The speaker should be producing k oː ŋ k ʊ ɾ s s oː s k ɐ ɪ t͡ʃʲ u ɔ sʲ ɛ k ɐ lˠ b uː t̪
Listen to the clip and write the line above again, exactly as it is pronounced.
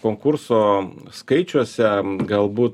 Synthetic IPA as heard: k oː ŋ k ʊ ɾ s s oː s k ɐ ɪ t͡ʃʲ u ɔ sʲ ɛ ɡ ɐ lˠ b uː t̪